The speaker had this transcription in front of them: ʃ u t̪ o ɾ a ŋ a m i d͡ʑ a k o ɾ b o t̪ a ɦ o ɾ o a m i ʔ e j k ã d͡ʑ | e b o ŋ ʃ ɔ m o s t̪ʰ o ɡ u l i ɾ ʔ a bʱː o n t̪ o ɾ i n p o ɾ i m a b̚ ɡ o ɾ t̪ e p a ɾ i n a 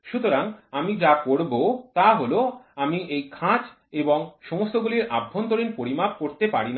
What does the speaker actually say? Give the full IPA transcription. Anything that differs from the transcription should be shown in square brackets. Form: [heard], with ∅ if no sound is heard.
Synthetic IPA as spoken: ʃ u t̪ o ɾ a ŋ a m i d͡ʑ a k o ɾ b o t̪ a ɦ o [l] o a m i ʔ e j [kʰ] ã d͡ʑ | e b o ŋ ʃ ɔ m o s [t̪] o ɡ u l i ɾ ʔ a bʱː o n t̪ o ɾ i n p o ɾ i m a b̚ [k] o ɾ t̪ e p a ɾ i n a